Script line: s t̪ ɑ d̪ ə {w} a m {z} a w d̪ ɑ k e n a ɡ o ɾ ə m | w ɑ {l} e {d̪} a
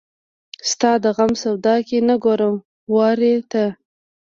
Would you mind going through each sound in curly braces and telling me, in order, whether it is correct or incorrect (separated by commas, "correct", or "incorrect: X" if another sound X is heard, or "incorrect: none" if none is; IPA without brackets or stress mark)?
incorrect: ɣ, incorrect: s, incorrect: ɾ, incorrect: t̪